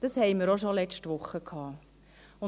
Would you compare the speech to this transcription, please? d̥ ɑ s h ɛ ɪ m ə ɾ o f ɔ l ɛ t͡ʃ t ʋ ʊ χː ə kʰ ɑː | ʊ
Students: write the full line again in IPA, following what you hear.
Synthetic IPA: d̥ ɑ s h ɛ ɪ m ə ɾ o ʃ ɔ l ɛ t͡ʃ t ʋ ʊ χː ə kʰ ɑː | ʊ